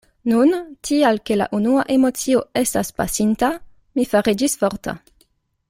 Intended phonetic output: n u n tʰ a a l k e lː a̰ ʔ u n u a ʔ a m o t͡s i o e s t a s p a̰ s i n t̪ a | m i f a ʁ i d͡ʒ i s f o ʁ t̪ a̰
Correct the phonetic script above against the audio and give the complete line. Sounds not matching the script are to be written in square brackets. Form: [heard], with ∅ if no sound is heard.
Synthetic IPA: n u n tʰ [i] a l k e [l] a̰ ʔ u n u a ʔ [e] m o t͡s i o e s t a s p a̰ s i n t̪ a | m i f a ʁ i d͡ʒ i s f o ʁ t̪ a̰